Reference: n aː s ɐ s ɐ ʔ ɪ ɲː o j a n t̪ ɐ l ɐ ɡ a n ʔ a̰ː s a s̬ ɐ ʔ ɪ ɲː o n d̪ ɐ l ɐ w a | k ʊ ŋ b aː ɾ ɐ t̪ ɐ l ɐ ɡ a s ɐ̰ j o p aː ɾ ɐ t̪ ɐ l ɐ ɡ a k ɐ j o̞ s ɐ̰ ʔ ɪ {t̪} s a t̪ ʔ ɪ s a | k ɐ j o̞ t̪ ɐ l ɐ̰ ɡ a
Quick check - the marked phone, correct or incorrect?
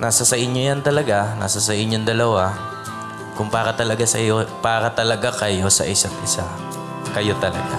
incorrect